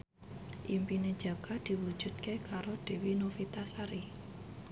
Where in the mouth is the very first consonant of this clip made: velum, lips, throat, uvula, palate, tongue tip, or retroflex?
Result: throat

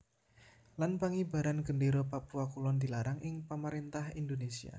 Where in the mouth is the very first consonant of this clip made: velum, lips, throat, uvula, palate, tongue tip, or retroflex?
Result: tongue tip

